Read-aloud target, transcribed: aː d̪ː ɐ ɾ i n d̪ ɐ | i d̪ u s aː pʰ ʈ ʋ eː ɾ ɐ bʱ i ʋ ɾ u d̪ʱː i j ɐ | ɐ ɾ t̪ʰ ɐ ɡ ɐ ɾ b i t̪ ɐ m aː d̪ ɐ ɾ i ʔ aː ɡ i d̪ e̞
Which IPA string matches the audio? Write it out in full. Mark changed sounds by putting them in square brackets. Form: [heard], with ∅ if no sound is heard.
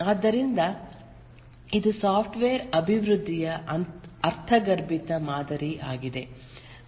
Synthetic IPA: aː d̪ː ɐ ɾ i n d̪ ɐ | i d̪ u s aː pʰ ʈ ʋ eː ɾ ɐ bʱ i ʋ ɾ u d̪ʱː i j ɐ | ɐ ɾ t̪ʰ ɐ ɡ ɐ ɾ b i t̪ ɐ m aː d̪ ɐ ɾ i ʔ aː ɡ i d̪ e̞